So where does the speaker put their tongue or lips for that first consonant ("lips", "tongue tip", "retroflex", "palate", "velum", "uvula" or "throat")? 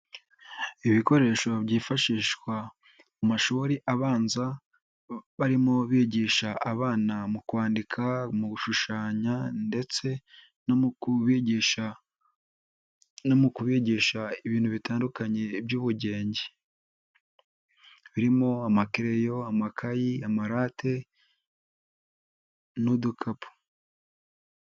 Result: lips